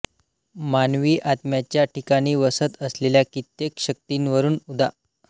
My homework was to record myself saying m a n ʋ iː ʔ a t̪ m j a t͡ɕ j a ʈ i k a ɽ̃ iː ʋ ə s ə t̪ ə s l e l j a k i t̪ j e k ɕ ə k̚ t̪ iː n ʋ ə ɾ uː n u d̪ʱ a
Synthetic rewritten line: m a n ʋ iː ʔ a t̪ m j a t͡ɕ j a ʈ i k a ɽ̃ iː ʋ ə s ə t̪ ə s l e l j a k i t̪ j e k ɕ ə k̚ t̪ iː n ʋ ə ɾ uː n u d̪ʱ a